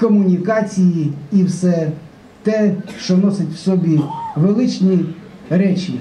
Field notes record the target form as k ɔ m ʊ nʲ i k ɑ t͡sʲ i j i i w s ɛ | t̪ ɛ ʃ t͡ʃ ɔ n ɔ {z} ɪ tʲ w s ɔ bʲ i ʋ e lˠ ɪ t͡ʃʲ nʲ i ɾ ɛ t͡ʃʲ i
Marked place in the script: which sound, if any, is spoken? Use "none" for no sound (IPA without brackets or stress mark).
s